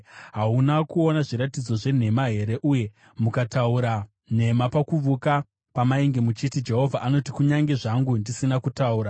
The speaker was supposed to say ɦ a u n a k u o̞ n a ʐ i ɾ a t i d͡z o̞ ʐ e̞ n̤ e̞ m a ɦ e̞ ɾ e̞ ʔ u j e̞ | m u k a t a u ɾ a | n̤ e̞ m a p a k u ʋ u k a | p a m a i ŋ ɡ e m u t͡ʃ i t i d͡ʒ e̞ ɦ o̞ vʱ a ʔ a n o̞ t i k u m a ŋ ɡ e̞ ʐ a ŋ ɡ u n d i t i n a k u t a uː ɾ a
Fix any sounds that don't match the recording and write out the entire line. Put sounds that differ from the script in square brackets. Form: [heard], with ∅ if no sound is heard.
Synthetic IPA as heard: ɦ a u n a k u o̞ n a ʐ i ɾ a t i d͡z o̞ ʐ e̞ n̤ e̞ m a ɦ e̞ ɾ e̞ ʔ u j e̞ | m u k a t a u ɾ a | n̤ e̞ m a p a k u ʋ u k a | p a m a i ŋ ɡ e m u t͡ʃ i t i d͡ʒ e̞ ɦ o̞ vʱ a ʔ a n o̞ t i k u [ɲ] a ŋ ɡ e̞ ʐ a ŋ ɡ u n d i [s] i n a k u t a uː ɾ a